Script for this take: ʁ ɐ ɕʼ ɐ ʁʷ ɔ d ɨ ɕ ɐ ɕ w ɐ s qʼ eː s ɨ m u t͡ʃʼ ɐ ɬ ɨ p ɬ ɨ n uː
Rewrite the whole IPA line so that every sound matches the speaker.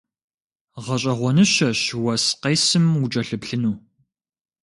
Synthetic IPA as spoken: ʁ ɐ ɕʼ ɐ ʁʷ ɔ n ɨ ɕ ɐ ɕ w ɐ s q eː s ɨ m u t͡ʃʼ ɐ ɬ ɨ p ɬ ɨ n uː